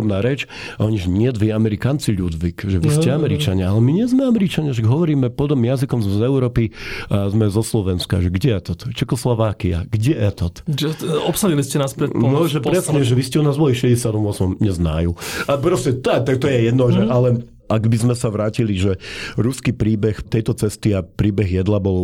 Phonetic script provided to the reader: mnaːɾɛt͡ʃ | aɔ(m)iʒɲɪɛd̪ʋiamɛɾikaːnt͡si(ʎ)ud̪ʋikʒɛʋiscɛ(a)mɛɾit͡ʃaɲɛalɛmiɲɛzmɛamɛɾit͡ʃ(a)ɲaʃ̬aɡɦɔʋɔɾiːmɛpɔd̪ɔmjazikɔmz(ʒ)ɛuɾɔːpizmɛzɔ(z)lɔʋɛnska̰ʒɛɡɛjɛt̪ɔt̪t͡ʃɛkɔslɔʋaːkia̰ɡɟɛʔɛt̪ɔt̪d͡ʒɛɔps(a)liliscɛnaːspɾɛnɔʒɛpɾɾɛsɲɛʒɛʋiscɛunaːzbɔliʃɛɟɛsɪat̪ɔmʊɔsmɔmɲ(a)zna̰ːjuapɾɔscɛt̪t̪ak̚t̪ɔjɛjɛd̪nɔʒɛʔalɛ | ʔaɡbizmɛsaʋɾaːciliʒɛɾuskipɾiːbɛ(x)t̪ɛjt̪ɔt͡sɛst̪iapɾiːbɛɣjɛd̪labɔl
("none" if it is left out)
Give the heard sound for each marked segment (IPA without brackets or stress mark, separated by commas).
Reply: ɲ, ʎ, a, a, z, s, a, ɛ, x